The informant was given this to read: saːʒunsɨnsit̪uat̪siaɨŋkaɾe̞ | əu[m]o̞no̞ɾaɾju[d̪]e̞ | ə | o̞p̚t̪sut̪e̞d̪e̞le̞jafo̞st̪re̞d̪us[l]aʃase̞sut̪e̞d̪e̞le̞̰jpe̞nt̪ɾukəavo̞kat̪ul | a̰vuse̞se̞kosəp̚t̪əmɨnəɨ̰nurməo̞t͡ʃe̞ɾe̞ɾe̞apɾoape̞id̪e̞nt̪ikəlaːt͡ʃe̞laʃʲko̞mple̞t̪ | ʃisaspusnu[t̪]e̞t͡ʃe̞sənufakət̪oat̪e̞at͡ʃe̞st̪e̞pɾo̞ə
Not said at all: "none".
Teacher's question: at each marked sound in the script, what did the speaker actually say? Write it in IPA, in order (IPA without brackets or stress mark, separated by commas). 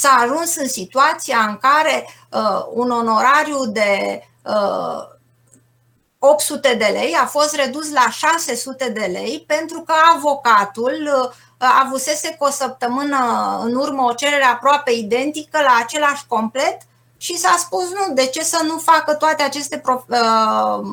n, d̪, l, d̪